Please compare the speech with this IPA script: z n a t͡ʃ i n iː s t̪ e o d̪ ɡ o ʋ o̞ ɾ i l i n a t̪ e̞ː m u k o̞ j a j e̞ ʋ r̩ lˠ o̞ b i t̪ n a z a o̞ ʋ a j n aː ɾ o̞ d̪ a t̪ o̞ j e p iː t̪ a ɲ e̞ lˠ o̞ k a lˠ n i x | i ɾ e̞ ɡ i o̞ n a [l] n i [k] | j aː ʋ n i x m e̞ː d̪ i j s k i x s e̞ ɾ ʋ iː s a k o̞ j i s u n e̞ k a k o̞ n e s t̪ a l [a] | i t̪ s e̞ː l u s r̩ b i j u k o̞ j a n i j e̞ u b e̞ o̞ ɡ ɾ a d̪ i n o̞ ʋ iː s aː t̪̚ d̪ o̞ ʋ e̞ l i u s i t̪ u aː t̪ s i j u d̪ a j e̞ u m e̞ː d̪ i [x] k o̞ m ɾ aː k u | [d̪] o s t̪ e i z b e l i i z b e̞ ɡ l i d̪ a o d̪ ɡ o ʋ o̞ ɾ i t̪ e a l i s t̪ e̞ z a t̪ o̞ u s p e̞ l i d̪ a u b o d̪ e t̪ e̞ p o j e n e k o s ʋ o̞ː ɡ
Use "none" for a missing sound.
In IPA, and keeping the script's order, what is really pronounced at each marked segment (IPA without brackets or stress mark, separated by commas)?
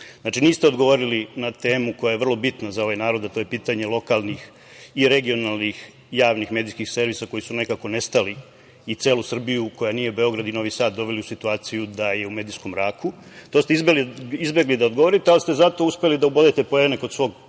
l, x, i, s, t̪